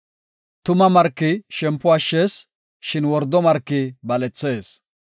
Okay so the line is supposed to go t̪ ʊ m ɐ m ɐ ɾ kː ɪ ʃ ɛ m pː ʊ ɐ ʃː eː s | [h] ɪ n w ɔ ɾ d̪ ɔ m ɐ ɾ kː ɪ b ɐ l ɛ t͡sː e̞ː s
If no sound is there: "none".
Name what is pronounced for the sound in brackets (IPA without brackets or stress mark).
ʃ